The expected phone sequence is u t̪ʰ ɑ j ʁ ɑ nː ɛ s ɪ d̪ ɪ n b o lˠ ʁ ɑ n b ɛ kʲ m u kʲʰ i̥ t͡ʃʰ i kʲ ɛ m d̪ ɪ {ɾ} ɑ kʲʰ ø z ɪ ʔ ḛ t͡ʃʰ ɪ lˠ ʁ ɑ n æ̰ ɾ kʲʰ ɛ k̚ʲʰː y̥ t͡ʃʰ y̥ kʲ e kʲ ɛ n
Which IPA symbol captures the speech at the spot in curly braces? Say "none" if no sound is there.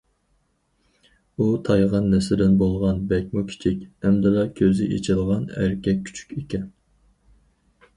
l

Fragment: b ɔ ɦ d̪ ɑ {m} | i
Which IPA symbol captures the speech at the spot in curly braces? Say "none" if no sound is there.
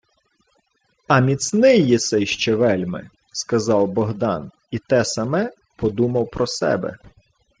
n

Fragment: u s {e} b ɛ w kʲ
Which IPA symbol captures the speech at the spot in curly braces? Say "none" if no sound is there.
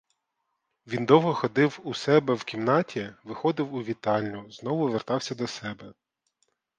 ɛ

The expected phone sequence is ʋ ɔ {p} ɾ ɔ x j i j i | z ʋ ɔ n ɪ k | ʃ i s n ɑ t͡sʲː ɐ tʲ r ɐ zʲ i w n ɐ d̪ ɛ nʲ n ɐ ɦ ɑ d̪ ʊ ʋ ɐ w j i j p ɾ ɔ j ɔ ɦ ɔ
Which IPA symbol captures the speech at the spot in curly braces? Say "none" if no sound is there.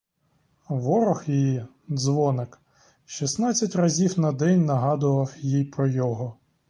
none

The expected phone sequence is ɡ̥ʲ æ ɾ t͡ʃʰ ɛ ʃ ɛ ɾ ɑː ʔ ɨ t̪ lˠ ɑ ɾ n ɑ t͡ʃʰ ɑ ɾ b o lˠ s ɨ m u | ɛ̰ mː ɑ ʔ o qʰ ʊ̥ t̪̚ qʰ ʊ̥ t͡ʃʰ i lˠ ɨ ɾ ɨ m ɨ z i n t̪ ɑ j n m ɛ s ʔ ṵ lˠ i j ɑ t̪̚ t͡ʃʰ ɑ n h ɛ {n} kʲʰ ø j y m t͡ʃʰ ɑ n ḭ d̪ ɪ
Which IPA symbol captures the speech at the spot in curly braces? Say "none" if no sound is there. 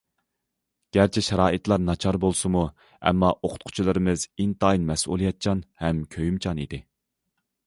m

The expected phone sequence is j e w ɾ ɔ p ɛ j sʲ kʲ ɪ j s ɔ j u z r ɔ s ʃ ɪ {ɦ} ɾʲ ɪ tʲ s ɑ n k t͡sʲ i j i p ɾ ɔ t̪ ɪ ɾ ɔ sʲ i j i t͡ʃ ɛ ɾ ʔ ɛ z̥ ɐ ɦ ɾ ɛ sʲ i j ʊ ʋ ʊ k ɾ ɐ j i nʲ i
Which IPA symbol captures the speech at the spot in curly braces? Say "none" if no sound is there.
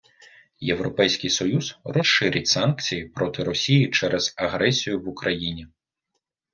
none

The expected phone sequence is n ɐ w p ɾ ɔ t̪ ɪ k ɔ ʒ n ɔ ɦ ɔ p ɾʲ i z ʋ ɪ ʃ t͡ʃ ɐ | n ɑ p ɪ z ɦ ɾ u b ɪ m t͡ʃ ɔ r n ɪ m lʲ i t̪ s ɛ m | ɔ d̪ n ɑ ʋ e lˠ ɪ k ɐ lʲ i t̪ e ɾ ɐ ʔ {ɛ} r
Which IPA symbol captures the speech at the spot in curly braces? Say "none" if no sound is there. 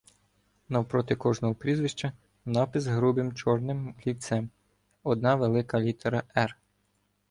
ɛ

